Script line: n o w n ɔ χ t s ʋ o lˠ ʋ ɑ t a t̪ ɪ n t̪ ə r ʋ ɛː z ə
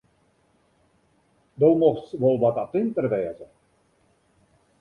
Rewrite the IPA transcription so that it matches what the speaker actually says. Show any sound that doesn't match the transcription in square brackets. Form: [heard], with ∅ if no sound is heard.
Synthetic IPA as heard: [d] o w [m] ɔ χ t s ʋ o lˠ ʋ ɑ t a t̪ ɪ n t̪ ə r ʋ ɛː z ə